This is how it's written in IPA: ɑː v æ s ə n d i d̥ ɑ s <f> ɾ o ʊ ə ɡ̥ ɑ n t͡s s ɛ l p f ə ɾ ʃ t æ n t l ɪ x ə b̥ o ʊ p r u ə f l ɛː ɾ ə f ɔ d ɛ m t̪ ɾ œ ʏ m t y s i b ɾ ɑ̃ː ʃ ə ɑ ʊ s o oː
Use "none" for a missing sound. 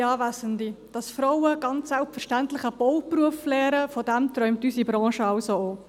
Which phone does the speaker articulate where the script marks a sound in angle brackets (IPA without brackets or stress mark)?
f